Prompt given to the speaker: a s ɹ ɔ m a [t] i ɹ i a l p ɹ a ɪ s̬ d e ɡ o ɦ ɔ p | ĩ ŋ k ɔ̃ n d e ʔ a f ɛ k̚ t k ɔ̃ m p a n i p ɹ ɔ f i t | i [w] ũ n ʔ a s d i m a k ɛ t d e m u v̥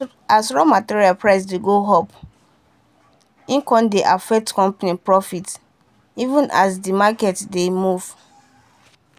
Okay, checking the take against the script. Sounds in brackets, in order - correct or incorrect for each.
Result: correct, incorrect

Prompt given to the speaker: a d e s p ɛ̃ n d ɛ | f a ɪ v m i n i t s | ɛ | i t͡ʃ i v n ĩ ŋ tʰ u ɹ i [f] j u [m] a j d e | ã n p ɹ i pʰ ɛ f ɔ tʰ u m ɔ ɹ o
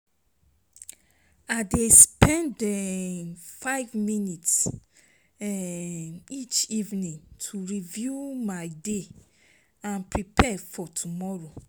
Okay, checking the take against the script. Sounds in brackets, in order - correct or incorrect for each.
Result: incorrect, correct

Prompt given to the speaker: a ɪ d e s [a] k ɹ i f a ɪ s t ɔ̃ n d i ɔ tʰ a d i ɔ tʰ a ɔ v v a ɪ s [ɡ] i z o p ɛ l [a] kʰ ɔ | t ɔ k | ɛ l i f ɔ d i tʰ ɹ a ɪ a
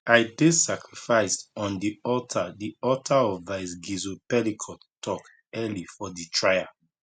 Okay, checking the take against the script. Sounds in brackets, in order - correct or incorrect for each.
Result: correct, correct, incorrect

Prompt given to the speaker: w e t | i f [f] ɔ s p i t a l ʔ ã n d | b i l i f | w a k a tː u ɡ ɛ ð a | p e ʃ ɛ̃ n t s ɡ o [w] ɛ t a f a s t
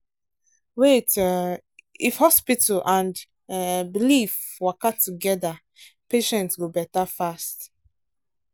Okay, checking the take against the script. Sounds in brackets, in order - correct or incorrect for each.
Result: incorrect, incorrect

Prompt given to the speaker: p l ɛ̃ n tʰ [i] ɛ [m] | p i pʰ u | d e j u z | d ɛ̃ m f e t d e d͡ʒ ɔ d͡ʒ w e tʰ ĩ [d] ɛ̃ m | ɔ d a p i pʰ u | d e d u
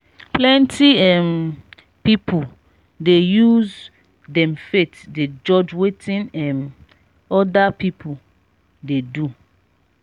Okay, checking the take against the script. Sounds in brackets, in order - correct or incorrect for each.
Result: correct, correct, incorrect

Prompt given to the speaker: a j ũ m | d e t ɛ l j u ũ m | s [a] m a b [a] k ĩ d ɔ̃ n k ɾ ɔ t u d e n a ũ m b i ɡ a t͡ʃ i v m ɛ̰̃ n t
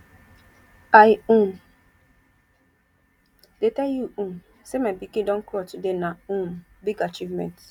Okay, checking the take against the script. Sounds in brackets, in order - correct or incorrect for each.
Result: incorrect, incorrect

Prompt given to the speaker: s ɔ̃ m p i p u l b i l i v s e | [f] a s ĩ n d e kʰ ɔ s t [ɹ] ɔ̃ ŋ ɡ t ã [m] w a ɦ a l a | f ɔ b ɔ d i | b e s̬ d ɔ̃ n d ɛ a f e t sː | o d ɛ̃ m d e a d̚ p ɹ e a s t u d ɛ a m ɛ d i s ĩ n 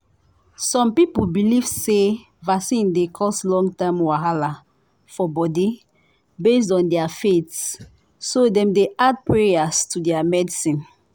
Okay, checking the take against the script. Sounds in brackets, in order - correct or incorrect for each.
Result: incorrect, incorrect, correct

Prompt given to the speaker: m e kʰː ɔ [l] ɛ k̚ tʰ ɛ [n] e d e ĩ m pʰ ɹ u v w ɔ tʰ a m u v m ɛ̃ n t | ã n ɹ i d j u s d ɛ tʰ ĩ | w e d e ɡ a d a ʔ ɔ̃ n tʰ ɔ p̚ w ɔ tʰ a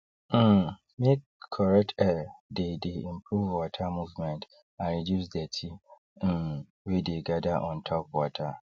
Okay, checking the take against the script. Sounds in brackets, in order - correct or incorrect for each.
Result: incorrect, incorrect

